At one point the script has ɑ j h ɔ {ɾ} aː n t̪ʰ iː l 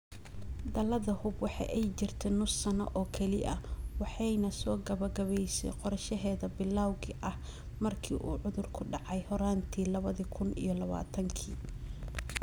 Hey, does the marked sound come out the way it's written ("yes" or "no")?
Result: yes